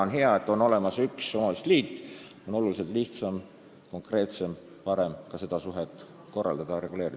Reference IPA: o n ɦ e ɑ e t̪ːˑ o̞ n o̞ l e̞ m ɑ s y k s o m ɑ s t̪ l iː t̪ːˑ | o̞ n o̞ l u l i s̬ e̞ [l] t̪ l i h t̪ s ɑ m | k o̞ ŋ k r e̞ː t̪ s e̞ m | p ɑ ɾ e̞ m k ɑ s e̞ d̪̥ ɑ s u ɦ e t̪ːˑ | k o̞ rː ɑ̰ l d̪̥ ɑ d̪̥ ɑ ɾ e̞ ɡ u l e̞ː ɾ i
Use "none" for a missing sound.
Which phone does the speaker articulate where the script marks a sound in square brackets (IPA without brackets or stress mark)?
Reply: l